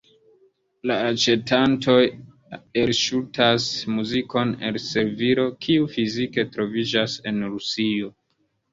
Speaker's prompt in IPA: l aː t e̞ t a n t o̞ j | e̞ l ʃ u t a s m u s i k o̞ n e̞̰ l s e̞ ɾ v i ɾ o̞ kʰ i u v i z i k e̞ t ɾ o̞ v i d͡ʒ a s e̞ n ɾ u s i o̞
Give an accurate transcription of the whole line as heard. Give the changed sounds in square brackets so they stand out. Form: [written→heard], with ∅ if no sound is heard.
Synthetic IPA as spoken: l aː [t→t͡ʃ] e̞ t a n t o̞ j | e̞ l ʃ u t a s m u [s→z] i k o̞ n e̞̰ l s e̞ ɾ v i ɾ o̞ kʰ i u [v→f] i z i k e̞ t ɾ o̞ v i d͡ʒ a s e̞ n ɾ u s i o̞